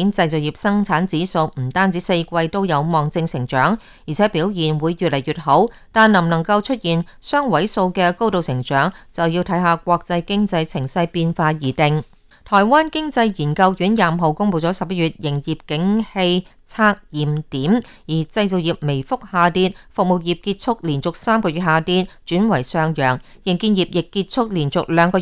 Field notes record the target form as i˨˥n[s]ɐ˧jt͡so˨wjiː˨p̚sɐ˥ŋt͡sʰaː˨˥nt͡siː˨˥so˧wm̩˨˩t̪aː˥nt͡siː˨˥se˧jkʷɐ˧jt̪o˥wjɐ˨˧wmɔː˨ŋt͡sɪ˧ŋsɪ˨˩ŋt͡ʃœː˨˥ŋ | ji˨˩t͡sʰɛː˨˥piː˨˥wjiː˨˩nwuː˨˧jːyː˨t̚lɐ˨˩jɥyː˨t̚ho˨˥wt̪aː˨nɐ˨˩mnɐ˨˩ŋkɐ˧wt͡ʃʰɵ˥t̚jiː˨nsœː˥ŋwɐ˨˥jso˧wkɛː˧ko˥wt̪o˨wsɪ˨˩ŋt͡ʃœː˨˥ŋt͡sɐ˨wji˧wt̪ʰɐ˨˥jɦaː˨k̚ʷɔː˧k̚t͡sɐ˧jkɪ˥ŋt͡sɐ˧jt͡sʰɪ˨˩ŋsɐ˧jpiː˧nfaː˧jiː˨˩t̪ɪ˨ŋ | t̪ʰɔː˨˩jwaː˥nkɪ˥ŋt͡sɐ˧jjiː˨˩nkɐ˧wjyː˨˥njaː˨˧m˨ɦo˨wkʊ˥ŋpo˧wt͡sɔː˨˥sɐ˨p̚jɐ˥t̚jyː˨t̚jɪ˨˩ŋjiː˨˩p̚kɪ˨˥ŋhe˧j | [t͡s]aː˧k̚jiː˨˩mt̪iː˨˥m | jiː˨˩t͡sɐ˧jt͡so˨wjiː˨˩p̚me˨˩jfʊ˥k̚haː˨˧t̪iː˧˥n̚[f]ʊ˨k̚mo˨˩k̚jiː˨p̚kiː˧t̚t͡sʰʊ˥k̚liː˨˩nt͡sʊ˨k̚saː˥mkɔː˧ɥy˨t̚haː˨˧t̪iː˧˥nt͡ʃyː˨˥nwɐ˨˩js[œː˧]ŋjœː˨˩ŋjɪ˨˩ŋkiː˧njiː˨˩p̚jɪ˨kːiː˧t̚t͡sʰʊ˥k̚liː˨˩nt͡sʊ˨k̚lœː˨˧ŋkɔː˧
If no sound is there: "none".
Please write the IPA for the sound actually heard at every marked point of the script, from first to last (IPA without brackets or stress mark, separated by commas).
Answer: t͡s, t͡sʰ, f, œː˧